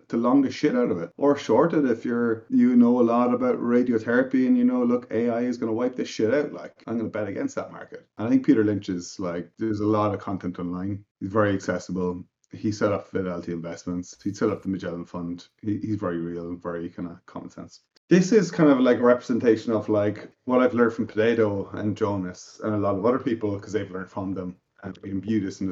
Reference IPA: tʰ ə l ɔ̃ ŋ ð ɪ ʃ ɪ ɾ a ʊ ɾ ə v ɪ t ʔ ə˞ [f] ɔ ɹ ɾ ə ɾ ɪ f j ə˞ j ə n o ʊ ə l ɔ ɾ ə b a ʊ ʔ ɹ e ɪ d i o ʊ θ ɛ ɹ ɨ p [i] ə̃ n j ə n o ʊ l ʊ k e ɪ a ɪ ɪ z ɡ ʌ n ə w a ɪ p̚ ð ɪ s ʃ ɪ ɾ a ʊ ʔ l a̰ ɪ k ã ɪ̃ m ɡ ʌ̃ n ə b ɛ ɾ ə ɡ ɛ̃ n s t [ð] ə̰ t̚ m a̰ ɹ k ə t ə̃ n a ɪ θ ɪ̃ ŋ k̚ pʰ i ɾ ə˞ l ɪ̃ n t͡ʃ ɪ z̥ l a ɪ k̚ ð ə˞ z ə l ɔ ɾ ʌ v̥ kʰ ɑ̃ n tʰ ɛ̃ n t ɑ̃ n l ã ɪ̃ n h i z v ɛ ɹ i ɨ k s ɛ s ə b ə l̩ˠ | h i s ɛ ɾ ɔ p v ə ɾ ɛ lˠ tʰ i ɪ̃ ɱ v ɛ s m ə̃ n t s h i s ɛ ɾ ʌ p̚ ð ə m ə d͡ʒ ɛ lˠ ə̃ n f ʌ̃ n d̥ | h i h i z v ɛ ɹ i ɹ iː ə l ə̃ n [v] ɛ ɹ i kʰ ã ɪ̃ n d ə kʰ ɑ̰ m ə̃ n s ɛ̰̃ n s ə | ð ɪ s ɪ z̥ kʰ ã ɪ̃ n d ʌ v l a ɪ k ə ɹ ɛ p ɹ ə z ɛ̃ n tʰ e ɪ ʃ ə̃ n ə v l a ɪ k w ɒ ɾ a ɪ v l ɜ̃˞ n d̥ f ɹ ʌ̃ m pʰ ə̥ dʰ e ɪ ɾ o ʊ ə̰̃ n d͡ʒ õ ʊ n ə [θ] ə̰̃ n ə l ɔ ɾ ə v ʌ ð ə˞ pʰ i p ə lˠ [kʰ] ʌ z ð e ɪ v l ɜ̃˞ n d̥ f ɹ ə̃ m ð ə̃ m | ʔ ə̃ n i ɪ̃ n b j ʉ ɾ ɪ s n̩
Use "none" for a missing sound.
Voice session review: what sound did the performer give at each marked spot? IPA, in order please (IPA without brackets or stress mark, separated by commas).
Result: ʃ, i, ð, v, s, kʰ